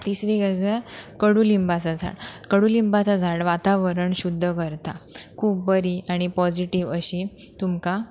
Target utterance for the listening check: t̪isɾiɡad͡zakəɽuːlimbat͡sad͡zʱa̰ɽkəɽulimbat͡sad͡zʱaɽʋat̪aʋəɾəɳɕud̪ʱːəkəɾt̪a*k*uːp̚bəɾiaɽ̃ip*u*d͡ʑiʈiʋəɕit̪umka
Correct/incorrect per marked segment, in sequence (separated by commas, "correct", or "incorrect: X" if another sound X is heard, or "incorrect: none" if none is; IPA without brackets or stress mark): incorrect: kʰ, incorrect: ɔ